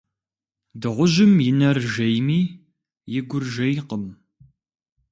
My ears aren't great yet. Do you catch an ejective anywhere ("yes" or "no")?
no